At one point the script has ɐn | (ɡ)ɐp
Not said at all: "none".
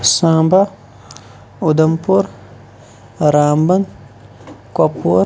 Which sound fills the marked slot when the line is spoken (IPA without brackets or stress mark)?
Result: k